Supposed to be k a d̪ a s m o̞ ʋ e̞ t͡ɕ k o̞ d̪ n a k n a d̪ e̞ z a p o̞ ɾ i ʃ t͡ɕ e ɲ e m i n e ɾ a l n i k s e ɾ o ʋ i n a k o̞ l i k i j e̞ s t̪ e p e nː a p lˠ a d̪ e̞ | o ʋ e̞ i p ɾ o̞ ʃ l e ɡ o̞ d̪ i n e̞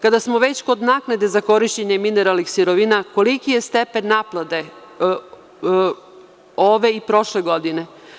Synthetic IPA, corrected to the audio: k a d̪ a s m o̞ ʋ e̞ t͡ɕ k o̞ d̪ n a k n a d̪ e̞ z a k o̞ ɾ i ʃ t͡ɕ e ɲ e m i n e ɾ a l n i x s i ɾ o ʋ i n a k o̞ l i k i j e̞ s t̪ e p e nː a p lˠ a d̪ e̞ | o ʋ e̞ i p ɾ o̞ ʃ l e ɡ o̞ d̪ i n e̞